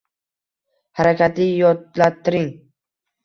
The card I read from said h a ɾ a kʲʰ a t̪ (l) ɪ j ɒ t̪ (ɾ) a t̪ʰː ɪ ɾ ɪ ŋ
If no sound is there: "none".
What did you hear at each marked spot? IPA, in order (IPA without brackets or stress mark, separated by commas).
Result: l, l